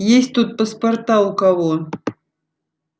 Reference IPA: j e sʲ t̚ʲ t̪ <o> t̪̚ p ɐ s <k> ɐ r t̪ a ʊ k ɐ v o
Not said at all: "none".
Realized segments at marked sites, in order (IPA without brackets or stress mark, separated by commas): u, p